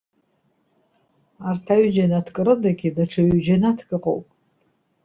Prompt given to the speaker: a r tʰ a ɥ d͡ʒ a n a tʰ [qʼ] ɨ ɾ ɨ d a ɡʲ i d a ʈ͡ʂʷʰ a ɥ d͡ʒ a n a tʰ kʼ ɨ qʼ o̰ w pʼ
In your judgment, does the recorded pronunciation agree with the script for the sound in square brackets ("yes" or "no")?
no